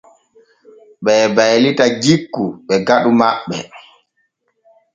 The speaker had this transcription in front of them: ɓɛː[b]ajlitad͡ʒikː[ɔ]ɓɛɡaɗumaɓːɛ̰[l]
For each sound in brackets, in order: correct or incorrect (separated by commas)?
correct, incorrect, incorrect